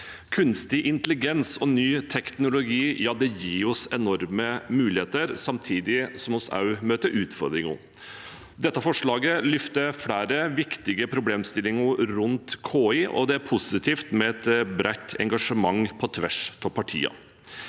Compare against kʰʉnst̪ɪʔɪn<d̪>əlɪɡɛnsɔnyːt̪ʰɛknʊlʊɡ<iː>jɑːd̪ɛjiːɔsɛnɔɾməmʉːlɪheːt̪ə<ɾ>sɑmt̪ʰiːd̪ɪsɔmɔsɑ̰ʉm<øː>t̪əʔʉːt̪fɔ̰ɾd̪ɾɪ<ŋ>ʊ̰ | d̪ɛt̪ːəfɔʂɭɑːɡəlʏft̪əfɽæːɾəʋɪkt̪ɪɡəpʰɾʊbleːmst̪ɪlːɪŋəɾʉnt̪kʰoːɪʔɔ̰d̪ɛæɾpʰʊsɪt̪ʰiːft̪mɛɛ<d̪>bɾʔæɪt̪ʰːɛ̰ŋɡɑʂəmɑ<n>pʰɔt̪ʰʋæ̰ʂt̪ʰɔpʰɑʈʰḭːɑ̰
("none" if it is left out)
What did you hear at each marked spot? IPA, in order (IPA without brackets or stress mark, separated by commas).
t̪, iː, ɾ, øː, ŋ, t̪, ŋ